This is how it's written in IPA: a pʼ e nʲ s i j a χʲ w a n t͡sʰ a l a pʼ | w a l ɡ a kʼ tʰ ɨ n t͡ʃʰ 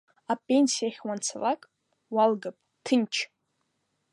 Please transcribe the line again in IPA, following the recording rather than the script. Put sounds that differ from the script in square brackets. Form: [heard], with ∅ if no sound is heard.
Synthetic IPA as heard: a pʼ e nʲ s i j a χʲ w a n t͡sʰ a l a [kʼ] | w a l ɡ a [pʼ] tʰ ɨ n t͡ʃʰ